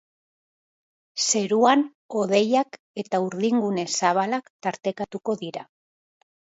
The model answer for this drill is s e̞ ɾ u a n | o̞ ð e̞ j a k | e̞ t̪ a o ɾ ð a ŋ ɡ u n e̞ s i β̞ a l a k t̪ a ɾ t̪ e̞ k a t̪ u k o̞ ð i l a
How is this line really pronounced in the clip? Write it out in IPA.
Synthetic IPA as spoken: s e̞ ɾ u a n | o̞ ð e̞ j a k | e̞ t̪ a u ɾ ð i ŋ ɡ u n e̞ s a β̞ a l a k t̪ a ɾ t̪ e̞ k a t̪ u k o̞ ð i ɾ a